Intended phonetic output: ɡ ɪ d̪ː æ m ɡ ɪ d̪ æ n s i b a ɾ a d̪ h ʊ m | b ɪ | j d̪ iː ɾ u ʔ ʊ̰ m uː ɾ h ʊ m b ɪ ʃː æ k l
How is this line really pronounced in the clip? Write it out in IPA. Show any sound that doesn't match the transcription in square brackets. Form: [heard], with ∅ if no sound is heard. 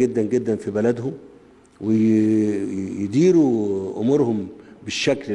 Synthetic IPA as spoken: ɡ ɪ d̪ː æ [n] ɡ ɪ [d̪ː] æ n [f] i b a [l] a d̪ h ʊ m | [w] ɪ | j d̪ iː ɾ u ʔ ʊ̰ m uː ɾ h ʊ m b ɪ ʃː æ k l